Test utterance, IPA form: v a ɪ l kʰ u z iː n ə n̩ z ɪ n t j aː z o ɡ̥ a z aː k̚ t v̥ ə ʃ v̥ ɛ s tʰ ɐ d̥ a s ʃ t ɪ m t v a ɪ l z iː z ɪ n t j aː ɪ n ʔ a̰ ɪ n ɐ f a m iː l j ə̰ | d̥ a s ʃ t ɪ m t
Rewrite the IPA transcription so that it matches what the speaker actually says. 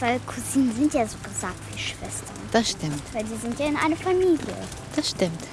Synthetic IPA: v a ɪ l kʰ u z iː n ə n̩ z ɪ n t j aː z o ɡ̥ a z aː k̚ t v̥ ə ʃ v̥ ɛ s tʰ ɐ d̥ a s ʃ t ɪ m t v a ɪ l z iː z ɪ n t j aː ɪ n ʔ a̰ ɪ n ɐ f a m iː l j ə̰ | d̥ a s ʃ t ɪ m t